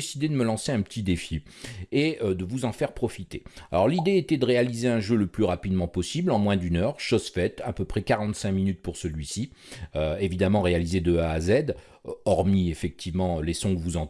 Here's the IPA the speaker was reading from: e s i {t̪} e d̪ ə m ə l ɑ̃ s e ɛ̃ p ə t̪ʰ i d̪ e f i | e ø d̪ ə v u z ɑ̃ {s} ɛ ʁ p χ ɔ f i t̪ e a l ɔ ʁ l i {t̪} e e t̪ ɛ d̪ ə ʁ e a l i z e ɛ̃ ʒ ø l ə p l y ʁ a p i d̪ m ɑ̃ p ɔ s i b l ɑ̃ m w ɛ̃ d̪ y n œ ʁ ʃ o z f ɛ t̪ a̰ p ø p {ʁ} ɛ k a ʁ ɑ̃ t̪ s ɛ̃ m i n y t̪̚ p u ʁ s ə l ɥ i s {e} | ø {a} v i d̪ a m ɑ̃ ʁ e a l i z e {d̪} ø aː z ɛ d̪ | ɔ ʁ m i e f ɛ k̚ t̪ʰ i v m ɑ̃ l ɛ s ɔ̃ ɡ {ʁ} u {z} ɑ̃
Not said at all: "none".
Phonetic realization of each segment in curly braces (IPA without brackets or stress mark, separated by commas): d̪, f, d̪, χ, i, e, d̪, v, z